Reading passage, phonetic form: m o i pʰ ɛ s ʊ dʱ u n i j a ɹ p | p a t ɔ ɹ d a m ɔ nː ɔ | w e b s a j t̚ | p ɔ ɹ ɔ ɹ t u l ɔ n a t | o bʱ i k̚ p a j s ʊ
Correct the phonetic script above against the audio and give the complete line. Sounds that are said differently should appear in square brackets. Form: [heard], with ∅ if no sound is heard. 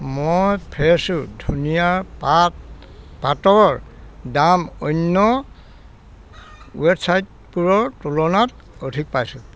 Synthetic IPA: m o [j] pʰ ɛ s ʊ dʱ u n i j a ɹ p | p a t ɔ ɹ d a m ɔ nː ɔ | w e b s a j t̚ | p [u] ɹ ɔ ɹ t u l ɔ n a t | o [dʱ] i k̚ p a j s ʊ

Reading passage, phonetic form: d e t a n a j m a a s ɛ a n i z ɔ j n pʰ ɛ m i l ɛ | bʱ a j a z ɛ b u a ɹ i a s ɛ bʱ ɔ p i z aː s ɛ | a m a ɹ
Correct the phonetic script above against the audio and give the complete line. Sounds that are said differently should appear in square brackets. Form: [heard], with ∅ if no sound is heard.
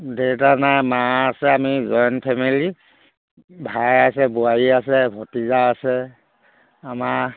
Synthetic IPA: d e t a n a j m a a s ɛ a [m] i z ɔ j n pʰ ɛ m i l [i] | bʱ a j a [s] ɛ b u a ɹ i a s ɛ bʱ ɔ [t] i z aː s ɛ | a m a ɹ

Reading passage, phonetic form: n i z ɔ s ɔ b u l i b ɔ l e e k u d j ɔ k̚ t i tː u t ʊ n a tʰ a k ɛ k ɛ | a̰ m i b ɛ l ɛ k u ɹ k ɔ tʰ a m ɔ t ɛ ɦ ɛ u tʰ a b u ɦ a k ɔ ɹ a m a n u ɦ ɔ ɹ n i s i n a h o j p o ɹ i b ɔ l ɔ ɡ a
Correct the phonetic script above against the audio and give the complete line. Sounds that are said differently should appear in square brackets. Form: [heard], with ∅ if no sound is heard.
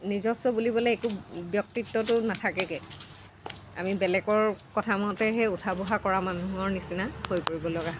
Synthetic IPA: n i z ɔ s ɔ b u l i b ɔ l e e k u [b] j ɔ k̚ t i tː [ɔ] t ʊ n a tʰ a k ɛ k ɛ | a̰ m i b ɛ l ɛ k [ɔ] ɹ k ɔ tʰ a m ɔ t ɛ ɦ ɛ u tʰ a b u ɦ a k ɔ ɹ a m a n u ɦ ɔ ɹ n i s i n a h o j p o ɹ i b ɔ l ɔ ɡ a

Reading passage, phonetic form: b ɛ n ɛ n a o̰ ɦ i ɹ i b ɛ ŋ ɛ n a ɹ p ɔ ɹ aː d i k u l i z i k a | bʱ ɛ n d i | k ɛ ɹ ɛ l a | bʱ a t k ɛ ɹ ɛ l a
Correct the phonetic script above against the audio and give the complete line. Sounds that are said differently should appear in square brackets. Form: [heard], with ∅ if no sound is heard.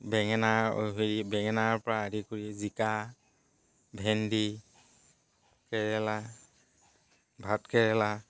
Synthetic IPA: b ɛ [ŋ] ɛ n a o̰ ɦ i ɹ i b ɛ ŋ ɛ n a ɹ p ɔ ɹ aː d i k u [ɹ] i z i k a | bʱ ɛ n d i | k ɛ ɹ ɛ l a | bʱ a t k ɛ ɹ ɛ l a

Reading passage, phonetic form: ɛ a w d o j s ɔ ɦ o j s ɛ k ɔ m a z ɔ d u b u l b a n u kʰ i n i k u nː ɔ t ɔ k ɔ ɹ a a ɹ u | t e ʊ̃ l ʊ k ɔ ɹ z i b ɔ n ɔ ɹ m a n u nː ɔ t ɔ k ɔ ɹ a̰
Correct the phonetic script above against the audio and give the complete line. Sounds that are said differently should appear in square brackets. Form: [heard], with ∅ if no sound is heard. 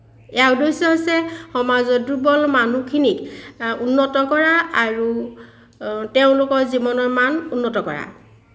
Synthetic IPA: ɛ a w d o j s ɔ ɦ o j s ɛ [x] ɔ m a z ɔ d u b [ɔ] l [m] a n u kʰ i n i k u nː ɔ t ɔ k ɔ ɹ a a ɹ u | t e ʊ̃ l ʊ k ɔ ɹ z i b ɔ n ɔ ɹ m a n u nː ɔ t ɔ k ɔ ɹ a̰

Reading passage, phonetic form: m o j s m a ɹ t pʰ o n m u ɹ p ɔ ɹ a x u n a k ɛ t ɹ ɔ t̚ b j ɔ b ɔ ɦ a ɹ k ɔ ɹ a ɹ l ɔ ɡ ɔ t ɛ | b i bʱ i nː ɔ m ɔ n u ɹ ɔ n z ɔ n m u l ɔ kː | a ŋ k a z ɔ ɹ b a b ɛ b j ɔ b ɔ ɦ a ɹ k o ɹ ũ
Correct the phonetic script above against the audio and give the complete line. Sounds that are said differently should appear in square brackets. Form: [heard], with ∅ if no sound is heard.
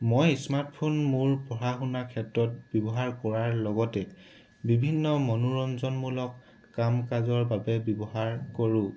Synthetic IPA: m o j s m a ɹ t pʰ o n m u ɹ p ɔ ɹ a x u n a [kʰ] ɛ t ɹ ɔ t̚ b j ɔ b ɔ ɦ a ɹ k ɔ ɹ a ɹ l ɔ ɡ ɔ t ɛ | b i bʱ i nː ɔ m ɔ n u ɹ ɔ n z ɔ n m u l ɔ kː | a [m] k a z ɔ ɹ b a b ɛ b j ɔ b ɔ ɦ a ɹ k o ɹ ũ

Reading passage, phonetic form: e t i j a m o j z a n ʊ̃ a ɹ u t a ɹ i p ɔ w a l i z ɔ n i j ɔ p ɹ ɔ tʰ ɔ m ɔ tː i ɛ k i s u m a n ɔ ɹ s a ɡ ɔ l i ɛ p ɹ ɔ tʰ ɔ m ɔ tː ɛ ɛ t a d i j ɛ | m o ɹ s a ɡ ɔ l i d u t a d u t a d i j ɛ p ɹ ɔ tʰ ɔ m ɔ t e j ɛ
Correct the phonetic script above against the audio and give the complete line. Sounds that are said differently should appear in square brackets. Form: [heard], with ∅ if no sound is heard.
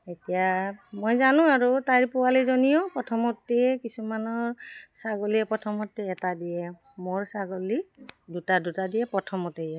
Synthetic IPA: e t i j a m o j z a n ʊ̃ a ɹ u t a ɹ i p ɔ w a l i z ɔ n i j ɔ p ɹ ɔ tʰ ɔ m ɔ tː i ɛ k i s u m a n ɔ ɹ s a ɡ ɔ l i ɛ p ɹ ɔ tʰ ɔ m ɔ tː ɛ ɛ t a d i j ɛ | m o ɹ s a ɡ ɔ l i d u t a d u t a d i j ɛ p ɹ ɔ tʰ ɔ m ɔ t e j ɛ

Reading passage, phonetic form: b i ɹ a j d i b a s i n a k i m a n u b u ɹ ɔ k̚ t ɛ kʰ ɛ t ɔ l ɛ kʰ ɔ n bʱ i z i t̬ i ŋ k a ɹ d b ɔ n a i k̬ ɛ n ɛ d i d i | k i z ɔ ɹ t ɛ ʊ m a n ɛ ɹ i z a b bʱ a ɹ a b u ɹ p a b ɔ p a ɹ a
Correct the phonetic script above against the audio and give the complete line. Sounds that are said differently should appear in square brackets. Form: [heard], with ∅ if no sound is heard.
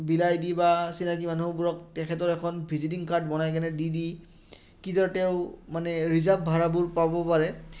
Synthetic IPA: b i [l] a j d i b a s i n a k i m a n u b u ɹ ɔ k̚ t ɛ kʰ ɛ t ɔ [ɹ] ɛ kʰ ɔ n bʱ i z i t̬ i ŋ k a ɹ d b ɔ n a [j] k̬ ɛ n ɛ d i d i | k i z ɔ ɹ t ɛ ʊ m a n ɛ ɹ i z a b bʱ a ɹ a b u ɹ p a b ɔ p a ɹ [ɛ]

